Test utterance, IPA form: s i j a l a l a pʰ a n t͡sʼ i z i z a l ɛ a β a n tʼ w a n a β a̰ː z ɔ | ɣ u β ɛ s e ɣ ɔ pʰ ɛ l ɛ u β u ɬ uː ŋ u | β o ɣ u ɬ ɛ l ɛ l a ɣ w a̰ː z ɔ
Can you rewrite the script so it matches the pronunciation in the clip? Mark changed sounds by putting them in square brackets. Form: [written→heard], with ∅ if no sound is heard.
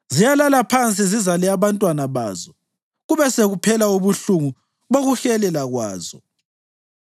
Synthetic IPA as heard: [s→z] i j a l a l a pʰ a n t͡sʼ i z i z a l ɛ a β a n tʼ w a n a β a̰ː z ɔ | ɣ u β ɛ s e ɣ [ɔ→u] pʰ ɛ l [ɛ→a] u β u ɬ [uː→u] ŋ u | β o ɣ u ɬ ɛ l ɛ l a ɣ w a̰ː z ɔ